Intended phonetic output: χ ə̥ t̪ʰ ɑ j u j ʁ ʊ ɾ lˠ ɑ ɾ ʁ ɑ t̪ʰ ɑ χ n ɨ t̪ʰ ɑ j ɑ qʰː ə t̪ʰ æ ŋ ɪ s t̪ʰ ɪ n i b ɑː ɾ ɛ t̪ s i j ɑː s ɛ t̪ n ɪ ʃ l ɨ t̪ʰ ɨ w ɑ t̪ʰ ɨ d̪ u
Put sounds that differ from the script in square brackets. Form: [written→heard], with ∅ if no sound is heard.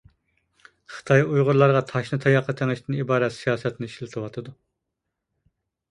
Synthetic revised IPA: χ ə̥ t̪ʰ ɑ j u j ʁ ʊ ɾ lˠ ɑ ɾ ʁ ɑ t̪ʰ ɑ [χ→ʃ] n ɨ t̪ʰ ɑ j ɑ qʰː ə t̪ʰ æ ŋ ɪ [s→ʃ] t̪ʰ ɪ n i b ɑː ɾ ɛ t̪ s i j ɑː s ɛ t̪ n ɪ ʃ l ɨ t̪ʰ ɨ w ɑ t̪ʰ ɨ d̪ u